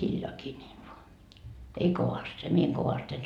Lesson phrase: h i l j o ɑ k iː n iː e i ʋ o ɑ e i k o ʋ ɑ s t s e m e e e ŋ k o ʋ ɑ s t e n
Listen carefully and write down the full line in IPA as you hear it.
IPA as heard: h i l j o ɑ k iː n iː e i ʋ o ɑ e i k o ʋ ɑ s t s e m i e e ŋ k o ʋ ɑ s t e n

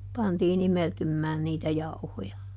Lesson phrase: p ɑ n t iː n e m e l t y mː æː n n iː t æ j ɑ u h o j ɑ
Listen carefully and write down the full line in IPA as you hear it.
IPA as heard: p ɑ n t iː n i m e l t y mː æː n n iː t æ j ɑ u h o j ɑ

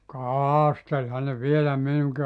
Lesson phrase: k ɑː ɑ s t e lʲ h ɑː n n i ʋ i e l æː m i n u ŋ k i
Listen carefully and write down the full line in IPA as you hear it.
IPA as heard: k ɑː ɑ s t e lʲ h ɑ n n e ʋ i e l æ m i n u ŋ k i

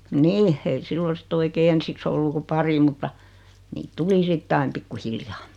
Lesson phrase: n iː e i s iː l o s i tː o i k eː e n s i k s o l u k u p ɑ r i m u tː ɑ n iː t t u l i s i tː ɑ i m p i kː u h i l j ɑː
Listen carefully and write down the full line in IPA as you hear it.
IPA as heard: n iː e i s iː l o s i tː o i k eː e n s i k s o lː u k u p ɑ r i m u tː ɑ n iː t t u l i s i tː ɑ i m p i kː u h i l j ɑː

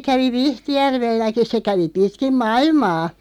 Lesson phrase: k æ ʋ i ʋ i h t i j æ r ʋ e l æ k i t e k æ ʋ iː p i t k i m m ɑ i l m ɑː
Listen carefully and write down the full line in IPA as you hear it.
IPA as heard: k æ ʋ i ʋ i h t i j æ r ʋ e lː æ k i s e k æ ʋ i p i t k i m m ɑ i l m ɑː

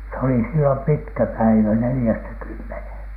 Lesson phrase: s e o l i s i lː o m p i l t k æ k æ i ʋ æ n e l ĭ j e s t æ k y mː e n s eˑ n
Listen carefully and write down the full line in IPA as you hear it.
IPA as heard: s e o l i s i lː o m p i t k æ p æ i ʋ æ n e l ĭ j æ s t æ k y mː e n h eˑ n

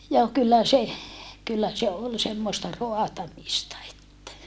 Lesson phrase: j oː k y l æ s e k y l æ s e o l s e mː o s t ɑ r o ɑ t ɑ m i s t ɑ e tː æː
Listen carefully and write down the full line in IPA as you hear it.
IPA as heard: j oː k y lː æ s e k y lː æ s e o l s e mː o s t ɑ r o ɑ t ɑ m i s t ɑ e tː æ

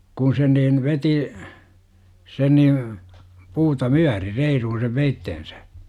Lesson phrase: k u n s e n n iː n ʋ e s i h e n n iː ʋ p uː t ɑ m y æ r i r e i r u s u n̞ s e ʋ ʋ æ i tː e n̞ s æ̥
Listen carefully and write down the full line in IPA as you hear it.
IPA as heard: k u n s e n n iː n ʋ e t i s e n n iː ʋ p uː t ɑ m y æ r i r e i r u h u n̞ s e ʋ ʋ e i tː e n̞ s æ̥

